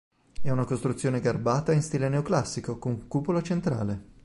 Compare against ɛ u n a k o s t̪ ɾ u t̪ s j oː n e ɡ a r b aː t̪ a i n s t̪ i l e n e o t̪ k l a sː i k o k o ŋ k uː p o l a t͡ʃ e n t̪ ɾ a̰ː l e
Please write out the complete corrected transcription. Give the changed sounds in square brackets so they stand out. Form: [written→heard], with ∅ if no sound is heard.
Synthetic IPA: ɛ u n a k o s t̪ ɾ u t̪ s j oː n e ɡ a r b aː t̪ a i n s t̪ i l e n e o [t̪→∅] k l a sː i k o k o ŋ k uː p o l a t͡ʃ e n t̪ ɾ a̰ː l e